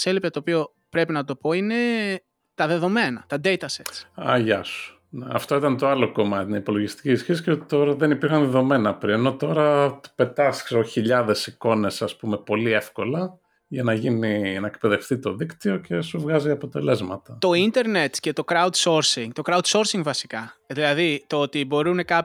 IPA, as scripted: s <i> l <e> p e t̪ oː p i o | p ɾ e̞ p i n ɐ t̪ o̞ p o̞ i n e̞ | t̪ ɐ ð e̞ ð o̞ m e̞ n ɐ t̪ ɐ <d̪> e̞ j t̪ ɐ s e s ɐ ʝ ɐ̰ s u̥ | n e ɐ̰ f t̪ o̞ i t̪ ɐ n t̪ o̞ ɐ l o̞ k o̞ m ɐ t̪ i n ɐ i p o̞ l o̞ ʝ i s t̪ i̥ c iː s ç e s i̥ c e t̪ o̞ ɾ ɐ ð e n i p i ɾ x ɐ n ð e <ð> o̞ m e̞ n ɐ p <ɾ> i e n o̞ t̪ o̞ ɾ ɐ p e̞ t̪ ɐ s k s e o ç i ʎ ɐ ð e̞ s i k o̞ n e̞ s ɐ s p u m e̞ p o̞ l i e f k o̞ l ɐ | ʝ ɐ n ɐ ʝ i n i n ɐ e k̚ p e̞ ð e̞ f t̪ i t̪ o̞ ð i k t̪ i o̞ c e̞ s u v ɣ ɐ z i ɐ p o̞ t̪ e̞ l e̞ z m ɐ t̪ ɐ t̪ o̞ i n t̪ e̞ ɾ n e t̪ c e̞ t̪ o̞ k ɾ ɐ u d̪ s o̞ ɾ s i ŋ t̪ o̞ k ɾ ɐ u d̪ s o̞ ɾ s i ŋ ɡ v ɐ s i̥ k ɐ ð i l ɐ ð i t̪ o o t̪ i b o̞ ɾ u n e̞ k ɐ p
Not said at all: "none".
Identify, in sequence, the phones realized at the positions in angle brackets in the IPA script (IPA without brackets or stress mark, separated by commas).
e, i, d̪, ð, ɾ